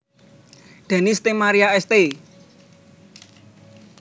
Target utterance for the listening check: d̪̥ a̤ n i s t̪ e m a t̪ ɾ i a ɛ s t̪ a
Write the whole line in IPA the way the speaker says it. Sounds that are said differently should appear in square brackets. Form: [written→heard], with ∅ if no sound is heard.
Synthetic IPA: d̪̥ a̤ n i s t̪ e m a [t̪→∅] ɾ i a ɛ s t̪ [a→e]